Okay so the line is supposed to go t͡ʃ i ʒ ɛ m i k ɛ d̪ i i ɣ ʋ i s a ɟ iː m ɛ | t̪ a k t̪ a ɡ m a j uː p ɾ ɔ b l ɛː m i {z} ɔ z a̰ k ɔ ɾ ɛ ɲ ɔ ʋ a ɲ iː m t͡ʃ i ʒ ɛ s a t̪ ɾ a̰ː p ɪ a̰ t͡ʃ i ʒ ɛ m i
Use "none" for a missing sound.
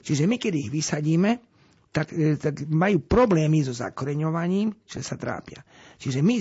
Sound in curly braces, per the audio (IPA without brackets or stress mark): z